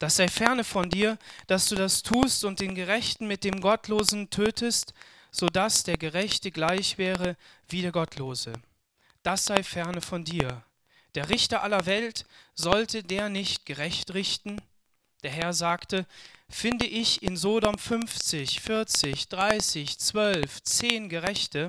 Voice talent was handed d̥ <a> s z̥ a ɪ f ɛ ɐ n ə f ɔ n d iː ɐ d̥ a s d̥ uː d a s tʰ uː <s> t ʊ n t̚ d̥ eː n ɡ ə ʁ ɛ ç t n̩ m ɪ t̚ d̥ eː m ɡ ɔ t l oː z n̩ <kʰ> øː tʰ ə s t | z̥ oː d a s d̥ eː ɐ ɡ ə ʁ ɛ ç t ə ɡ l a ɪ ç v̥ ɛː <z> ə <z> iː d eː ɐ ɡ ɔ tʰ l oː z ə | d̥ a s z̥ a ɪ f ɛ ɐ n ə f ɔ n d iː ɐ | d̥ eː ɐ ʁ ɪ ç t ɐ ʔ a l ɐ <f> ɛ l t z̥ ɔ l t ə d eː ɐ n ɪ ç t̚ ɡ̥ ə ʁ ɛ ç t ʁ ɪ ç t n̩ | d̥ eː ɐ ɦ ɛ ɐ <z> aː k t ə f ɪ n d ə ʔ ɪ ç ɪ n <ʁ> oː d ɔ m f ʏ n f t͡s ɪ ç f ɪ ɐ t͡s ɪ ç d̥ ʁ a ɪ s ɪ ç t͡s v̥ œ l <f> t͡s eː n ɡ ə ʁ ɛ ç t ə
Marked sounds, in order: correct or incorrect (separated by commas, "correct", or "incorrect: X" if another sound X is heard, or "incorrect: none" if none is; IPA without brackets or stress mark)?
correct, correct, incorrect: tʰ, incorrect: ʁ, incorrect: v, incorrect: v, correct, incorrect: z, correct